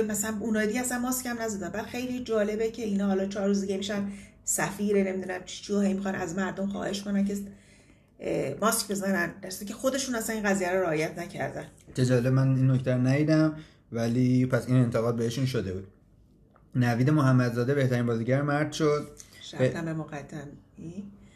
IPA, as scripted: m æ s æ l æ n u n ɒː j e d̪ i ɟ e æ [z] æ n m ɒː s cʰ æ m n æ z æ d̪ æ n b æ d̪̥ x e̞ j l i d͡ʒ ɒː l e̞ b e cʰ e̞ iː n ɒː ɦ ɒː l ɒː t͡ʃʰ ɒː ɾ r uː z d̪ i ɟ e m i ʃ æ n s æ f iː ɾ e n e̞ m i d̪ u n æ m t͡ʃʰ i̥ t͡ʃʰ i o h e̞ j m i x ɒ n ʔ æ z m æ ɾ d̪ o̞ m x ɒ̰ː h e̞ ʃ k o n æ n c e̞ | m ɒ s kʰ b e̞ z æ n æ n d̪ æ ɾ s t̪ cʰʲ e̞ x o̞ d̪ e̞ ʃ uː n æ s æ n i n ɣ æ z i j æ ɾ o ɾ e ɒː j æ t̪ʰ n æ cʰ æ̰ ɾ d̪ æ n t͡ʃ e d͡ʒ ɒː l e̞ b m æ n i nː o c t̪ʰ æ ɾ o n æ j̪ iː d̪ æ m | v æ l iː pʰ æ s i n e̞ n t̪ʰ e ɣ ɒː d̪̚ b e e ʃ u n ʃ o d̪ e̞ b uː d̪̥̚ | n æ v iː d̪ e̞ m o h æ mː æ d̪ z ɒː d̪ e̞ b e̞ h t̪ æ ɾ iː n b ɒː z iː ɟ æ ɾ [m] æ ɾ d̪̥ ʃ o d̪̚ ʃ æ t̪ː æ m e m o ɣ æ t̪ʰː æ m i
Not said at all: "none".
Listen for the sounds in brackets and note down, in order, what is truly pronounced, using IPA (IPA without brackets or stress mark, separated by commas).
s, m